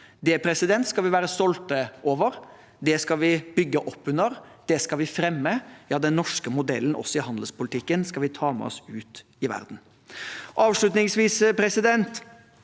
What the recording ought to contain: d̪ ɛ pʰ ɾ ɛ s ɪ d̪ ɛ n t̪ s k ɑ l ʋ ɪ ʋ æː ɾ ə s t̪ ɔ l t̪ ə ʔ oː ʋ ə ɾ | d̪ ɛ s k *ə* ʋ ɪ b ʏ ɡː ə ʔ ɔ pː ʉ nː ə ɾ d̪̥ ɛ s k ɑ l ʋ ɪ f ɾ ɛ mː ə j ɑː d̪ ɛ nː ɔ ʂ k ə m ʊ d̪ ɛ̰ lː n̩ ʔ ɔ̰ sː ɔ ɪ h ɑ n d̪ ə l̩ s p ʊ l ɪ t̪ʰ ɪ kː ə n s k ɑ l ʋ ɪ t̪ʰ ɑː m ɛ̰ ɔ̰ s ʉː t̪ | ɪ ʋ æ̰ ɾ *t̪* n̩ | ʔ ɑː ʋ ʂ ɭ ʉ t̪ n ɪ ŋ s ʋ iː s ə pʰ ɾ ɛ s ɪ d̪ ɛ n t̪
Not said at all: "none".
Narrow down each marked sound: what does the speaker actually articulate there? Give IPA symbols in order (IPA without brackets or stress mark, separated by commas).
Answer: ɑ, d̪